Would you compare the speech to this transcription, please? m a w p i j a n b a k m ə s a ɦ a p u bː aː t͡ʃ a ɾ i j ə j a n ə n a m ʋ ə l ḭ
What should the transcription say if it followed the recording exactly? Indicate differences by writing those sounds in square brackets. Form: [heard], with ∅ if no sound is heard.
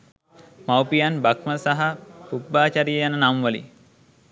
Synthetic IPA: m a w p i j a n b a k m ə s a ɦ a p u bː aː t͡ʃ a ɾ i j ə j a n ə n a m ʋ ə l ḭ